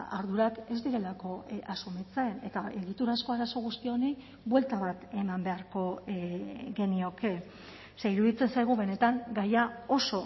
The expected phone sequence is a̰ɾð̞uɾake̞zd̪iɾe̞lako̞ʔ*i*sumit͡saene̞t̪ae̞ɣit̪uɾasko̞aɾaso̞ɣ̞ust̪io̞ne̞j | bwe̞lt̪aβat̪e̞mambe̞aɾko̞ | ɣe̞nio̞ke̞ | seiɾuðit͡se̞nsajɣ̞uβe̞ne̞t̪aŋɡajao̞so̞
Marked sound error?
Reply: yes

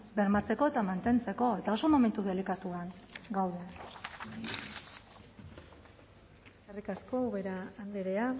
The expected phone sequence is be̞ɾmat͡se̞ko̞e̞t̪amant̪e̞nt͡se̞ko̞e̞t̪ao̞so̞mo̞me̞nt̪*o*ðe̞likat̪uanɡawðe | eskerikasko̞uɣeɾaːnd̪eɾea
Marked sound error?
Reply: yes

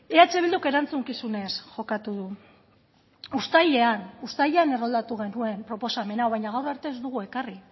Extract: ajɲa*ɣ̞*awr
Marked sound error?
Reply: no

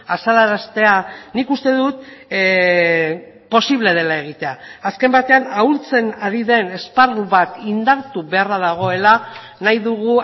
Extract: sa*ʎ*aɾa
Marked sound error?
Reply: yes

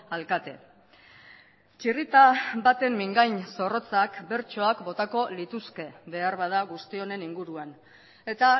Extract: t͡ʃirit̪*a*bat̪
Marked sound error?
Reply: no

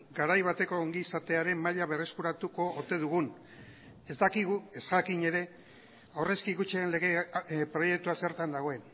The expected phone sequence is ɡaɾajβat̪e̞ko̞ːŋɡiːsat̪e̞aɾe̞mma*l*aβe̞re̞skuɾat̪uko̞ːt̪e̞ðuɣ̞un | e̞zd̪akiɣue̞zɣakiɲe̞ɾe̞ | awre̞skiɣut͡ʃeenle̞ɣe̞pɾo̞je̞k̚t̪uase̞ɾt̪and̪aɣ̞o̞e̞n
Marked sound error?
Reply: yes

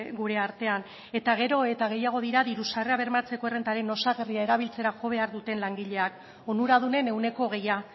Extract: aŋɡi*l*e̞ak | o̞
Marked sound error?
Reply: yes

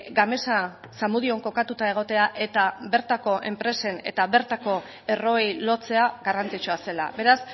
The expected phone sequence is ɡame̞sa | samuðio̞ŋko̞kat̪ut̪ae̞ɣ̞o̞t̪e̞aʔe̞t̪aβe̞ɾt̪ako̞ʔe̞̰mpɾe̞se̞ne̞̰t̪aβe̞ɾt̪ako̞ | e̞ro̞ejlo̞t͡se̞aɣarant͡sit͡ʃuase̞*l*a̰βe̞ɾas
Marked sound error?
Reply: no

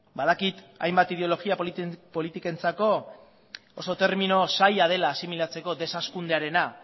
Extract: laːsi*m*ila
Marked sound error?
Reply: no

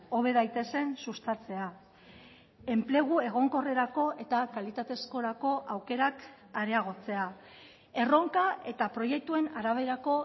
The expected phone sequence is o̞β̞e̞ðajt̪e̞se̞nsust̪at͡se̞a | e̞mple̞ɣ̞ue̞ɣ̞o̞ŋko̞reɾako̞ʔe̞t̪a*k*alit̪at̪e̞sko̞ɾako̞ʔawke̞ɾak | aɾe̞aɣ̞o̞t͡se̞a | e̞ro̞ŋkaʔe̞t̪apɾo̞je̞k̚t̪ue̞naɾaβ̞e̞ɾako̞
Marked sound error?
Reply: no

